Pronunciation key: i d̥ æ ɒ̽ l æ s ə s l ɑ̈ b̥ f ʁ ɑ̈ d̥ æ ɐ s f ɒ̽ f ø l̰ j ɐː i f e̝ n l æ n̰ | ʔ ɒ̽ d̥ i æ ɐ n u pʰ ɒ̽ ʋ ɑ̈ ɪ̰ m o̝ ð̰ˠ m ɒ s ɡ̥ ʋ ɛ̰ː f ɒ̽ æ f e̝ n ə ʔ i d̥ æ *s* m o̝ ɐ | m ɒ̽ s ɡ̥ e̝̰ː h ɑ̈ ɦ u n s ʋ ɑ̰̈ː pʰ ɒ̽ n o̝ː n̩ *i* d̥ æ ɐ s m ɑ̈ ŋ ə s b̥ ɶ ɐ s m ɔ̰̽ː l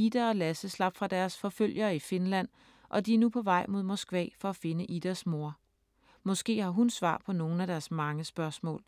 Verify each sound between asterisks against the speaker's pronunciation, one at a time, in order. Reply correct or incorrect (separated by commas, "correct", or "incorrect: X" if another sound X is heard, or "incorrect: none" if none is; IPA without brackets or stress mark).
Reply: correct, incorrect: æ